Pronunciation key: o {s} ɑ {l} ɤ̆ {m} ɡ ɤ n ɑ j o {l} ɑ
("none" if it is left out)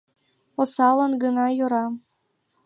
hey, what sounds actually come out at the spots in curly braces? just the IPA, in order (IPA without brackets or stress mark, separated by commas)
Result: s, l, n, ɾ